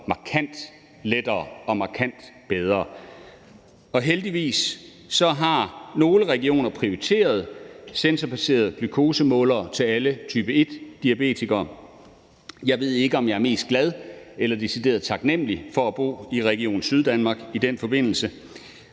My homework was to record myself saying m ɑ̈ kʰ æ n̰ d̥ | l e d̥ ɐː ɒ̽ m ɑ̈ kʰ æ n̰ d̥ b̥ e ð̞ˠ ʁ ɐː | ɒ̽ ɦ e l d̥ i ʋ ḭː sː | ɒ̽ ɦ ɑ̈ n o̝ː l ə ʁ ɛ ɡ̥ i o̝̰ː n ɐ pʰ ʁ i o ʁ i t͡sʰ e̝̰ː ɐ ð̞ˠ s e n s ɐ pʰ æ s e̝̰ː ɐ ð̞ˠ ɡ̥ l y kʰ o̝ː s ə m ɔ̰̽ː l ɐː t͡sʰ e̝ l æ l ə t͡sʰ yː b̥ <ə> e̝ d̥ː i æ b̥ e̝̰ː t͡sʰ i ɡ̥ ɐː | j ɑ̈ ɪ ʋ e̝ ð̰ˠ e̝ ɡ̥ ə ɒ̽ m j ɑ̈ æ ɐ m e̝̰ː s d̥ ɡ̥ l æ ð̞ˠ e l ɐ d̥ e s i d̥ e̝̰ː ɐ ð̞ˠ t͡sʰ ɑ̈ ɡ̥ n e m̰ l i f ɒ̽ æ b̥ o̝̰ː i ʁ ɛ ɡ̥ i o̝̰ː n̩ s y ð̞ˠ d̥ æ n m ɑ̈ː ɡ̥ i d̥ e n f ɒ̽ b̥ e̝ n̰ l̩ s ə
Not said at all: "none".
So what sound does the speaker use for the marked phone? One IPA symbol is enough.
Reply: ə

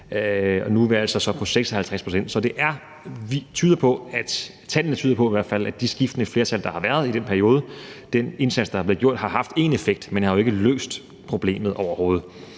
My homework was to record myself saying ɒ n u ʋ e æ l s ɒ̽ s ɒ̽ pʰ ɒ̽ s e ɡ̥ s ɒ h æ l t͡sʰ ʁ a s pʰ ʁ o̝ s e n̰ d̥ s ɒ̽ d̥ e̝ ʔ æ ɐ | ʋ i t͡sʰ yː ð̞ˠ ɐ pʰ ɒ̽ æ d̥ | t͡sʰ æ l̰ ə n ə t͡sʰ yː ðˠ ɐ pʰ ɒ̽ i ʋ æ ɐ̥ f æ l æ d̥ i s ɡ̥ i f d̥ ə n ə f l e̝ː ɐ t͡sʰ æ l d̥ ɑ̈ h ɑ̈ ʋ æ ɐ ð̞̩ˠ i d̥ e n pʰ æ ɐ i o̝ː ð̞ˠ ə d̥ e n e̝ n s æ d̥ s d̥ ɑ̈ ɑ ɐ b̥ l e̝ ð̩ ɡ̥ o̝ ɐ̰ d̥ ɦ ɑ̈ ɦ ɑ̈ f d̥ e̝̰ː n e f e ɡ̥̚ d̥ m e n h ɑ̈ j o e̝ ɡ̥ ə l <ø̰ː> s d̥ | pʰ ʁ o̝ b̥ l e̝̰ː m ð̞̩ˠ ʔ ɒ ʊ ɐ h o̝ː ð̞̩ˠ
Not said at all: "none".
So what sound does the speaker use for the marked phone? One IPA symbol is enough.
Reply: ø̰ː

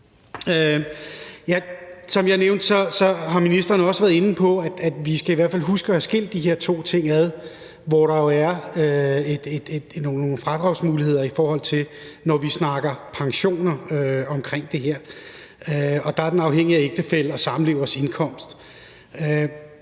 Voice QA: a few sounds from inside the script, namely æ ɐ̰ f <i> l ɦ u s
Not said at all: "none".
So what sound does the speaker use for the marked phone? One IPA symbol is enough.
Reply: æ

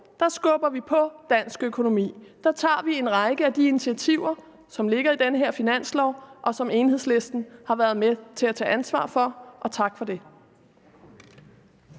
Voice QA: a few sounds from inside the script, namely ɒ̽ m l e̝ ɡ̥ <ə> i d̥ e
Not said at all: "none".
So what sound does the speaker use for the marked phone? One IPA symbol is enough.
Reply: ɐ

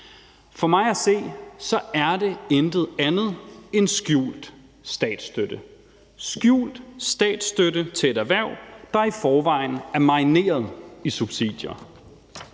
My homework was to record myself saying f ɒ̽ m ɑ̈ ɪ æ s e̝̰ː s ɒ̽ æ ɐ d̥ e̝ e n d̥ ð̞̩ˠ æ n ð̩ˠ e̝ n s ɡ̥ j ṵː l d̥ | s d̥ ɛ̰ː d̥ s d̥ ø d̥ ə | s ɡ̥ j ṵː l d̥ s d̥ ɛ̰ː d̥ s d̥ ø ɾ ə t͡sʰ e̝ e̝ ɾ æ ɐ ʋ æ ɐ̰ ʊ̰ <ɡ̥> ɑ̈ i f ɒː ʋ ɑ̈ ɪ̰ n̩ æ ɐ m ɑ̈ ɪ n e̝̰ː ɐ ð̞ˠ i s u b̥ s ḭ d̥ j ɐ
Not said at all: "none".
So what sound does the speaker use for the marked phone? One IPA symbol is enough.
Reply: d̥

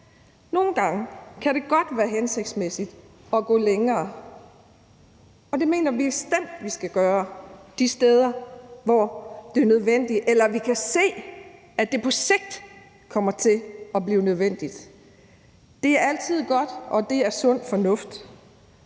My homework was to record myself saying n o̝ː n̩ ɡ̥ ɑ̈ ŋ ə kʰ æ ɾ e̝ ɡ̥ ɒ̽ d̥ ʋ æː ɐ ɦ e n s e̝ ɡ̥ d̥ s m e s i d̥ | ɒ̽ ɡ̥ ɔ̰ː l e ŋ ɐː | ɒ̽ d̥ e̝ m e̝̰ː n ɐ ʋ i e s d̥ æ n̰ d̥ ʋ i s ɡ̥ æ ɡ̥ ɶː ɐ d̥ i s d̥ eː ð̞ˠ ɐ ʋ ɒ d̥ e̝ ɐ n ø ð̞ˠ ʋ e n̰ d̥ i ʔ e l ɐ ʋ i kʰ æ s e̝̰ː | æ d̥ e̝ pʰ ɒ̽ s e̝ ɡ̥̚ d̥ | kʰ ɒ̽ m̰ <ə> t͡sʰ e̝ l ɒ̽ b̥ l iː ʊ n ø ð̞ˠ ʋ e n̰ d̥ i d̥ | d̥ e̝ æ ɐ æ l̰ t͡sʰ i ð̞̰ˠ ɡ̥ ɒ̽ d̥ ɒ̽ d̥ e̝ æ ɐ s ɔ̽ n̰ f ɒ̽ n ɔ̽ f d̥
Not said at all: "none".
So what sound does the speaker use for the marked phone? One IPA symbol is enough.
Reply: ɐ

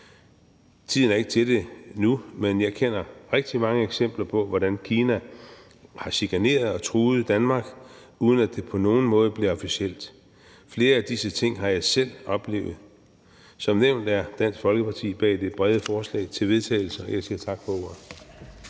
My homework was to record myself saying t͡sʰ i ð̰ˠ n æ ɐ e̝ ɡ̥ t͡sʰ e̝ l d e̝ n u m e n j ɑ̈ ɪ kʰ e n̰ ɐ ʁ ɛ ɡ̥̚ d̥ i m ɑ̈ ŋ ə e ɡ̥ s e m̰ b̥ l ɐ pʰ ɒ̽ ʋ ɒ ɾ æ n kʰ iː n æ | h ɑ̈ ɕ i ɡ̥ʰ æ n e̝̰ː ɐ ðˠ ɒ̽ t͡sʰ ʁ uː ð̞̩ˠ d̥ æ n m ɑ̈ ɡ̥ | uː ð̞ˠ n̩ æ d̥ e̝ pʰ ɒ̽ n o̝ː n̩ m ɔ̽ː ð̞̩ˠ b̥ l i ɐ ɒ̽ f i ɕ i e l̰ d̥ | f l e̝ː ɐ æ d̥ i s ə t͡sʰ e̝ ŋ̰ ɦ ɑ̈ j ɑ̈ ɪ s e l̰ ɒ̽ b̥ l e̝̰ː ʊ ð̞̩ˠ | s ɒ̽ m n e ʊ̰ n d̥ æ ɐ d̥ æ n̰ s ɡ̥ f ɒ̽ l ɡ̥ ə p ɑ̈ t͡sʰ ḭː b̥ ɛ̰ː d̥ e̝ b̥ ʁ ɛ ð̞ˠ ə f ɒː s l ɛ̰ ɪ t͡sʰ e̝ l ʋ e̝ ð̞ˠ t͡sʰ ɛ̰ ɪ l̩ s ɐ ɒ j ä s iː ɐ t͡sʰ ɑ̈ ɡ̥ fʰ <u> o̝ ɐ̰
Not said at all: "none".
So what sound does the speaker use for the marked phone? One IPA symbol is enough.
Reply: ɒ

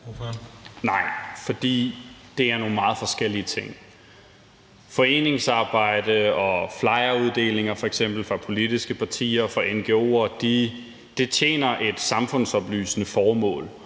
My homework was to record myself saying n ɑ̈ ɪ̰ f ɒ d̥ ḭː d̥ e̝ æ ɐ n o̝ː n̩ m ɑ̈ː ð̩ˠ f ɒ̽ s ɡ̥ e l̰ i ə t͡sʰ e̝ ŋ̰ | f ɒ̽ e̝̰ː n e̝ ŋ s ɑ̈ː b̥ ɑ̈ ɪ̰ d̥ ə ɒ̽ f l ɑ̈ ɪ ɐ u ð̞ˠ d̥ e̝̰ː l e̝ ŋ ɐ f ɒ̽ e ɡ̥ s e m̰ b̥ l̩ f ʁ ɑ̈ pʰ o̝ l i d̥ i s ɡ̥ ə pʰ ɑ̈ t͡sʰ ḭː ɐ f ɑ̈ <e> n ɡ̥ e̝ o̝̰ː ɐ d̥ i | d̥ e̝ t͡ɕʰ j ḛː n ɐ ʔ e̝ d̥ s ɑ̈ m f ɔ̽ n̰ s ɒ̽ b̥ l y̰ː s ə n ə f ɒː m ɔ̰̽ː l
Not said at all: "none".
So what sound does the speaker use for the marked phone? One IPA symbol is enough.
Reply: e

